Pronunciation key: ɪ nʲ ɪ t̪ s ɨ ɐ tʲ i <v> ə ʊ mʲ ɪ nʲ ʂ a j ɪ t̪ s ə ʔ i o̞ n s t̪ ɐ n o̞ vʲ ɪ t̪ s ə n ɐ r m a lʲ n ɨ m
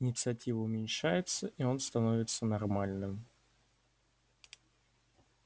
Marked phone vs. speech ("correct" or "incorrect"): correct